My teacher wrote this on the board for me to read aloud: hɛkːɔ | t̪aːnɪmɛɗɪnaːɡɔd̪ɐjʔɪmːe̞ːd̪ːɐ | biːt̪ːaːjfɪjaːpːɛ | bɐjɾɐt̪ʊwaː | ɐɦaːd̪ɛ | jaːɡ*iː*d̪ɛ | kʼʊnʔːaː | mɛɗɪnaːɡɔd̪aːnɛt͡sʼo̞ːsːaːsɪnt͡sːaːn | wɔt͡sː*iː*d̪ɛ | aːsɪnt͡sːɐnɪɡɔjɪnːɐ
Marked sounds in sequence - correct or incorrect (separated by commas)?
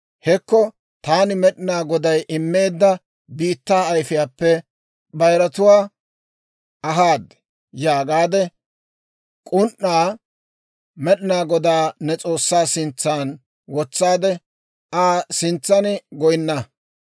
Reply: incorrect, incorrect